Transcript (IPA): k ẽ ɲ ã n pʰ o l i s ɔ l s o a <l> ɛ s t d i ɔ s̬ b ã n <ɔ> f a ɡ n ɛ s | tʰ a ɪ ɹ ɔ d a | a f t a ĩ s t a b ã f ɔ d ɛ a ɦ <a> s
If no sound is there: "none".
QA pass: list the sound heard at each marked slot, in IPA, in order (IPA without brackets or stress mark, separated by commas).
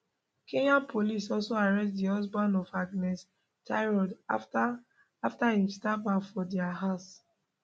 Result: ɹ, ɔ, a